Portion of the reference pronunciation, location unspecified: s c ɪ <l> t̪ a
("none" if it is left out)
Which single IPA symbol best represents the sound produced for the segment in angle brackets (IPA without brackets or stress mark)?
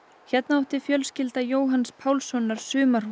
l